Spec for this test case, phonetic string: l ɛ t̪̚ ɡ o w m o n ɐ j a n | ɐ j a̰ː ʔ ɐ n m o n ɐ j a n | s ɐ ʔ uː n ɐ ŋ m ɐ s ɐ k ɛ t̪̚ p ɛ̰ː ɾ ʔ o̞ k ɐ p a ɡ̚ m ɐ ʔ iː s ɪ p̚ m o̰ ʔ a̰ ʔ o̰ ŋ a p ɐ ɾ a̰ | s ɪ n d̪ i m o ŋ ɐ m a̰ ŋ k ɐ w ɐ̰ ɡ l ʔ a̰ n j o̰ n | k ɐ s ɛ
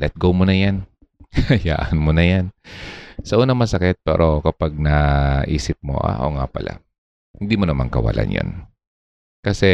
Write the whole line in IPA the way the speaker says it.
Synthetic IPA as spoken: l ɛ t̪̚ ɡ o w m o n ɐ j a n | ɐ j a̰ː ʔ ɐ n m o n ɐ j a n | s ɐ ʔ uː n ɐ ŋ m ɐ s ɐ k ɛ t̪̚ p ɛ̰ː ɾ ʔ o̞ k ɐ p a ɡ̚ n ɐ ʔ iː s ɪ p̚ m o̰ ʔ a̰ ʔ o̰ ŋ a p ɐ l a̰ | h ɪ n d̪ i m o n ɐ m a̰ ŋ k ɐ w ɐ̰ l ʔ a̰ n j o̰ n | k ɐ s ɛ